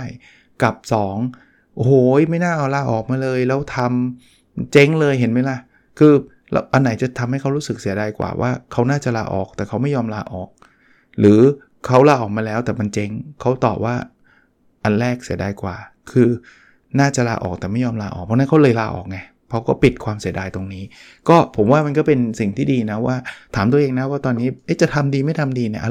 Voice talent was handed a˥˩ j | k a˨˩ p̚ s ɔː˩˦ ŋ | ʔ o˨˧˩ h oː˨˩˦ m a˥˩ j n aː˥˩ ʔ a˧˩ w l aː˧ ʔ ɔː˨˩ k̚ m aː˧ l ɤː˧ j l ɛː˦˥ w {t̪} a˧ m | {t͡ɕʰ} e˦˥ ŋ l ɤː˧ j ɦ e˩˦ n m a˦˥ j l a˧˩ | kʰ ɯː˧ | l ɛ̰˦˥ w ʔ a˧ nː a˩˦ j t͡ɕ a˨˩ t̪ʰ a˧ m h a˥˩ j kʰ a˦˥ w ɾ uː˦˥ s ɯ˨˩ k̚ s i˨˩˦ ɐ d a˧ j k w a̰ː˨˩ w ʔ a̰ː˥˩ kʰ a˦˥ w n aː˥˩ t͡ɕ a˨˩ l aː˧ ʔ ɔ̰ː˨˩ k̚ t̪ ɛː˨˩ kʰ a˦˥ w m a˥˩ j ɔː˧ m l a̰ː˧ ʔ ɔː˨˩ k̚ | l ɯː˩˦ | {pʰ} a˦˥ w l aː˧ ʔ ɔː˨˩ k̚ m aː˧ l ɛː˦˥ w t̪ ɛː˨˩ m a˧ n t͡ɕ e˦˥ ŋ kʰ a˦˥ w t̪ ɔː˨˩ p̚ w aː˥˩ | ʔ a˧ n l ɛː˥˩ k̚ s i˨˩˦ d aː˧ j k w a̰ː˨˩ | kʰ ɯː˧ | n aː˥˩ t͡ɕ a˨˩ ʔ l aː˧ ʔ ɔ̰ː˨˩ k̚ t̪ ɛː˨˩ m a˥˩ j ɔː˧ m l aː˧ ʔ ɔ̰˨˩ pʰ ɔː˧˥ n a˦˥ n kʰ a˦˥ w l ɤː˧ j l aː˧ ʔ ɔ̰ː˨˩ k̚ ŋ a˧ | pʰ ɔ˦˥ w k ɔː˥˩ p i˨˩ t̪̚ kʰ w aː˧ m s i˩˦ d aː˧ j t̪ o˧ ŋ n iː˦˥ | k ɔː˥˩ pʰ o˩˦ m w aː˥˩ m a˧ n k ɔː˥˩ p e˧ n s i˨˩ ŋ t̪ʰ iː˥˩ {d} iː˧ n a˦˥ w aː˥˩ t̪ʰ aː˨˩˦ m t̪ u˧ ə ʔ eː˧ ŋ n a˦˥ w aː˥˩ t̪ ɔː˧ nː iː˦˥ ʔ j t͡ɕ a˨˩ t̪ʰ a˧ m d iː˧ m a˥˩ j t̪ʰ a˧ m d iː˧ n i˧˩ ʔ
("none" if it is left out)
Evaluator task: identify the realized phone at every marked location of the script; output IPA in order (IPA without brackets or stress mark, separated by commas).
t̪ʰ, t͡ɕ, kʰ, d